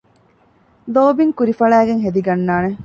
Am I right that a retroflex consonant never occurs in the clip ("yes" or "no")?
no